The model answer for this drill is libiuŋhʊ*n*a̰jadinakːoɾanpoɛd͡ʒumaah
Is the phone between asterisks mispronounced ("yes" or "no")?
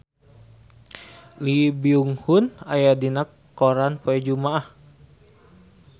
no